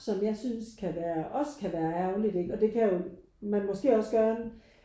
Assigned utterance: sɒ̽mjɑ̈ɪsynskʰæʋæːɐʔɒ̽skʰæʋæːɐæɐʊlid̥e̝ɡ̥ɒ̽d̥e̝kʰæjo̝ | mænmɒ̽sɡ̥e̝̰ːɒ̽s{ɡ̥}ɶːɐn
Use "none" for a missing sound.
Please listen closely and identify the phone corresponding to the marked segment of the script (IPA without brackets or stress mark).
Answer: ɡ̥